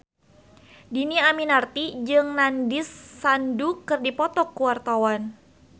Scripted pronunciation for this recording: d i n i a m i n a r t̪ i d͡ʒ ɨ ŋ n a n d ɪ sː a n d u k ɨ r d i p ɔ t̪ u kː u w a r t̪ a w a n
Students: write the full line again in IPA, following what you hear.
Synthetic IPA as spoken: d i n i a m i n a r t̪ i d͡ʒ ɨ ŋ n a n d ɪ sː a n d u k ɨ r d i p ɔ t̪ ɔ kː u w a r t̪ a w a n

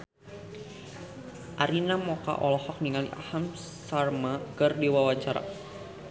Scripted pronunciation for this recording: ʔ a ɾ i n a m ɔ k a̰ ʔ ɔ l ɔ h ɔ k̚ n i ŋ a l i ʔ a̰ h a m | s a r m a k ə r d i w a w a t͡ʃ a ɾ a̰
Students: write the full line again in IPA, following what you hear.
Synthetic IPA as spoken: ʔ a ɾ i n a m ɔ k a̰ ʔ ɔ l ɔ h ɔ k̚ n i ŋ a l i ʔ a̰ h a m | s a r m a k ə r d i w a w a t͡ʃ a ɾ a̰

